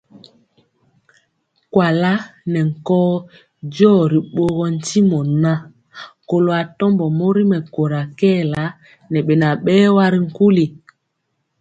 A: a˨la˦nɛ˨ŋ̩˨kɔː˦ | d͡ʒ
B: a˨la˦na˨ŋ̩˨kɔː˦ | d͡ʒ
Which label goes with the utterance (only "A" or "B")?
A